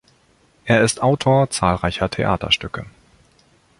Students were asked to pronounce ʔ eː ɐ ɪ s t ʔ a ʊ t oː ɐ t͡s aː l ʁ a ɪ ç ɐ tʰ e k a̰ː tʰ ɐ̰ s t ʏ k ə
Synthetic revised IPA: ʔ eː ɐ ɪ s t ʔ a ʊ tʰ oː ɐ t͡s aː l ʁ a ɪ ç ɐ tʰ e ʔ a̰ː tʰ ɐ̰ ʃ t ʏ k ə